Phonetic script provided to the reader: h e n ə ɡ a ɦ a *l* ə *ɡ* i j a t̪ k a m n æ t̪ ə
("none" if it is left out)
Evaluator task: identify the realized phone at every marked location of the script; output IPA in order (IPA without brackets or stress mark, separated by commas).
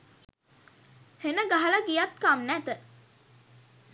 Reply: l, ɡ